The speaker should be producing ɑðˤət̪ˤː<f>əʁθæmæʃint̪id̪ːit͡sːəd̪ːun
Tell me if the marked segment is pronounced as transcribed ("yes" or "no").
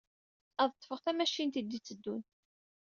yes